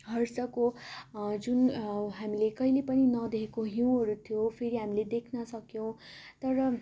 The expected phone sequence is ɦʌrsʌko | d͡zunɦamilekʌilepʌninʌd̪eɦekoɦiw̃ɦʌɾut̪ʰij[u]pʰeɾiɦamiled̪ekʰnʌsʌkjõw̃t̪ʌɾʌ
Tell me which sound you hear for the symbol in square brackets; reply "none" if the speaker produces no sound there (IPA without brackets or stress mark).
o